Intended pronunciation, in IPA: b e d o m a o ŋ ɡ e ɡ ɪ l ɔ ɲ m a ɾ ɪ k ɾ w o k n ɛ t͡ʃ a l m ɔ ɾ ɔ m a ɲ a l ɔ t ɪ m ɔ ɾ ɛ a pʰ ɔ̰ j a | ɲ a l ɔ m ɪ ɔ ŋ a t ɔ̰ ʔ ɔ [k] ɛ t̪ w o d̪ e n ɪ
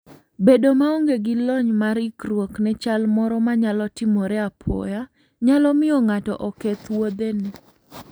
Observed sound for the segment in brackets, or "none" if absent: k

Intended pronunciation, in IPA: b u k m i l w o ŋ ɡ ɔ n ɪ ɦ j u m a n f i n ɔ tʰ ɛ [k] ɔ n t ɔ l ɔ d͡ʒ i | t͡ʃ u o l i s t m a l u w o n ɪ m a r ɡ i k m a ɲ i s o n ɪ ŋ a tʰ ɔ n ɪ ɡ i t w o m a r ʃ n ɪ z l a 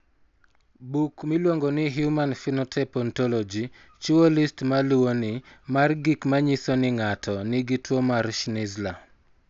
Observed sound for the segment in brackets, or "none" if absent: p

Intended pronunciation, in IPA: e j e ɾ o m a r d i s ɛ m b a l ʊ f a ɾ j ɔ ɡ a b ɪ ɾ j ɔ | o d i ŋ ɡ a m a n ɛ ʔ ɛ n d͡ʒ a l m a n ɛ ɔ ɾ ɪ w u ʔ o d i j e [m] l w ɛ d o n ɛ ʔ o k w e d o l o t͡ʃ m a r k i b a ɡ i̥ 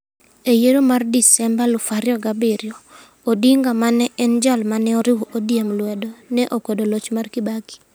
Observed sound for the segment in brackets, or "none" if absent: m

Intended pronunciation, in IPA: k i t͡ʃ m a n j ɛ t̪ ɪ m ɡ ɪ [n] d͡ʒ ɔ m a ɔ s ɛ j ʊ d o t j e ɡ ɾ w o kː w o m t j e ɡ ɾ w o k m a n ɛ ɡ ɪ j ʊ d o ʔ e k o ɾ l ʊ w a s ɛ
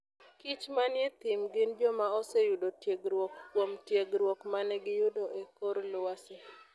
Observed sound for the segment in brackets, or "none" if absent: n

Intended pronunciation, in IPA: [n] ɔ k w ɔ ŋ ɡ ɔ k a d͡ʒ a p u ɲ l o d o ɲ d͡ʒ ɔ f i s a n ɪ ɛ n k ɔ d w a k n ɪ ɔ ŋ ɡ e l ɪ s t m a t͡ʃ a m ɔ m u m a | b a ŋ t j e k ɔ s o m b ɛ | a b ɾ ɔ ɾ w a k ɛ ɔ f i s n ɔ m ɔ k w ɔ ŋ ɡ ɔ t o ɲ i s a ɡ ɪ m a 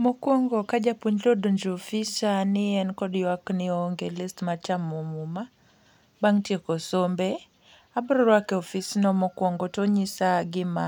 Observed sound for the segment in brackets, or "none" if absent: m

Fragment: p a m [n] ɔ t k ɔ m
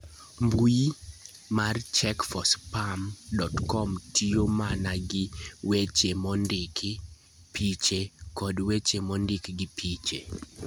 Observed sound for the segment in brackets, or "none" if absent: d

